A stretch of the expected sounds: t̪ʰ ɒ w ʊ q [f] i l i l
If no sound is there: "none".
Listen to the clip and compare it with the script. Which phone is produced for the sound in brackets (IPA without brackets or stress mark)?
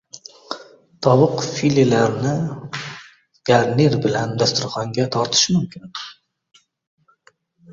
f